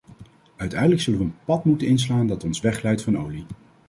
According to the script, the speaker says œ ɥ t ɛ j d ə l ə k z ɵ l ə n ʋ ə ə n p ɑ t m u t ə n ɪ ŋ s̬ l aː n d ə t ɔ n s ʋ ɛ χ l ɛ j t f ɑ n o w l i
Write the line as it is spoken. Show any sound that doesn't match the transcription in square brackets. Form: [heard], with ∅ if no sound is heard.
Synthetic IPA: œ ɥ t ɛ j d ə l ə k [s] ɵ l ə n ʋ ə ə n p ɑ t m u t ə n ɪ [n] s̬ l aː n d [ɑ] t ɔ n s ʋ ɛ χ l ɛ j t f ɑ n o w l i